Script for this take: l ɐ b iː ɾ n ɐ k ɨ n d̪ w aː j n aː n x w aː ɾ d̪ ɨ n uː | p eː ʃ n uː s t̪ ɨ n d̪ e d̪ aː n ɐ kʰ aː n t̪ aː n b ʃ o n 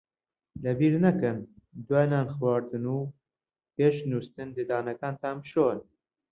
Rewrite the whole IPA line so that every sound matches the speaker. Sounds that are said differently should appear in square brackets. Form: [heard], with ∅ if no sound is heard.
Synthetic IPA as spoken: l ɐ b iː ɾ n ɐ k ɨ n d̪ w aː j n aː n x w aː ɾ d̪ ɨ n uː | p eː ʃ n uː s t̪ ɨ n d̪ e d̪ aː n ɐ [k] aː n t̪ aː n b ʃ o n